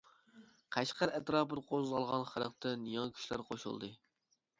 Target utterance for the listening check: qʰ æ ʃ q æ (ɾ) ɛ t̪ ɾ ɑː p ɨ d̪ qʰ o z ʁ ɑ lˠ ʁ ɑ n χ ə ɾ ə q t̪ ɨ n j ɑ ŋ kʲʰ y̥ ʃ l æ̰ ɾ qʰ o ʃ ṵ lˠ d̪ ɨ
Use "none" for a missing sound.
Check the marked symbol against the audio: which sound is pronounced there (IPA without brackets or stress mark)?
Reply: ɾ